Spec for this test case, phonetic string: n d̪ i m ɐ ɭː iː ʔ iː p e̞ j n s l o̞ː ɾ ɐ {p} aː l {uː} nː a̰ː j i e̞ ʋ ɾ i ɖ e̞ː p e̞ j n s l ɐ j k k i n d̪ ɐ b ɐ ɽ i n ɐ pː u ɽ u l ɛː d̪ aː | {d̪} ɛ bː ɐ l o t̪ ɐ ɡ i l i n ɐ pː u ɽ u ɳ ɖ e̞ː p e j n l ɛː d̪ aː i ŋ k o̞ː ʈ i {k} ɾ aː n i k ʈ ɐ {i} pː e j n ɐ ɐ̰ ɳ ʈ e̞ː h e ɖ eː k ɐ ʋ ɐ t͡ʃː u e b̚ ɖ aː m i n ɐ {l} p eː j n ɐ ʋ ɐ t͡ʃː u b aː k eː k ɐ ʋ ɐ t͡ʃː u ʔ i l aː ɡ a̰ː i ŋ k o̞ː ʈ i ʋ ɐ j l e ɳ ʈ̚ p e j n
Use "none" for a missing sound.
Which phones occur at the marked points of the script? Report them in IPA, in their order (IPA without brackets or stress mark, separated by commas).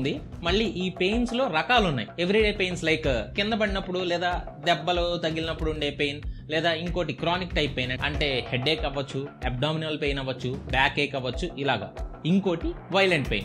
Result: k, u, d̪, k, j, l